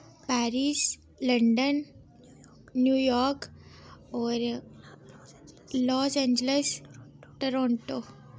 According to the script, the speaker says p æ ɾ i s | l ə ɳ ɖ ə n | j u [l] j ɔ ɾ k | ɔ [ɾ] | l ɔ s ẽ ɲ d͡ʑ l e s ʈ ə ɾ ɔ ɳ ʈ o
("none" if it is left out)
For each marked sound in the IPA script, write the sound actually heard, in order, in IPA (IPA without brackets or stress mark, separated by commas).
none, ɾ